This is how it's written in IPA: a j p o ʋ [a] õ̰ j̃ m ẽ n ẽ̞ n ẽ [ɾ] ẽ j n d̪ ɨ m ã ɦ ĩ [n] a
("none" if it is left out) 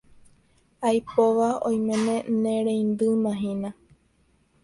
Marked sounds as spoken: a, ɾ, n

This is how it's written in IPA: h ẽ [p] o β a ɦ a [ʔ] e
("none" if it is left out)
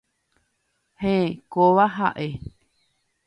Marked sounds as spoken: k, ʔ

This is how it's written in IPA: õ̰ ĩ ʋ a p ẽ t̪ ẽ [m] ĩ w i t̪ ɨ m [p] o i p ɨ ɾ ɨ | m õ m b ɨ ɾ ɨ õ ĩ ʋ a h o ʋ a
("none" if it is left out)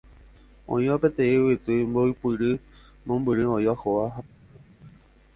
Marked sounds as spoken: none, b

